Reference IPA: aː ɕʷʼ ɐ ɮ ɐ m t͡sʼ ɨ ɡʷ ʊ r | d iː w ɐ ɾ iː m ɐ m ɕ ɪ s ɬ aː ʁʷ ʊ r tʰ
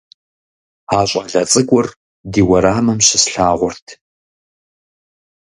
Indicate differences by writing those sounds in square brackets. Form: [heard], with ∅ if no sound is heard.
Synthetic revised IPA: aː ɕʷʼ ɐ ɮ ɐ [∅] t͡sʼ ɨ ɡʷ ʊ r | d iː w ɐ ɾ [aː] m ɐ m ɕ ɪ s ɬ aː ʁʷ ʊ r tʰ